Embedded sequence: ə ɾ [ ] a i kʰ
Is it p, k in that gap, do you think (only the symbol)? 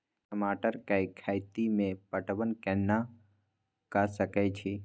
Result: k